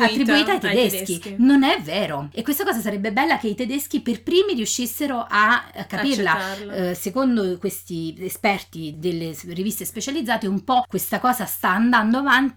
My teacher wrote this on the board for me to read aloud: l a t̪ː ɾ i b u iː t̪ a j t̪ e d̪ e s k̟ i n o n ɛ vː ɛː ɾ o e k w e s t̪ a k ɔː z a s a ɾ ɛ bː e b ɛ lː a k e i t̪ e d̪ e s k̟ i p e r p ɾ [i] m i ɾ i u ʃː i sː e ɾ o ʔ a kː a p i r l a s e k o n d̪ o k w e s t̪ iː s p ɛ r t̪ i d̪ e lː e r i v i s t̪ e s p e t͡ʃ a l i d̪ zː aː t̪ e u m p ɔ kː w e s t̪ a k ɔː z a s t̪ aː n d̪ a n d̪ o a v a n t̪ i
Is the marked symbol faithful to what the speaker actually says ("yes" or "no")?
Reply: no